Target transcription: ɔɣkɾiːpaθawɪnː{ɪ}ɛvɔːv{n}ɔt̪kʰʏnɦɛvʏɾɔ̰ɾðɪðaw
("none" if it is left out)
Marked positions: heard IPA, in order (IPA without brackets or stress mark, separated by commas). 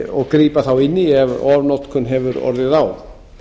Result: i, n